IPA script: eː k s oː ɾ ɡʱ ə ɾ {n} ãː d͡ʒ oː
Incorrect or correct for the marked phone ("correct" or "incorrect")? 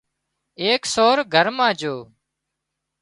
incorrect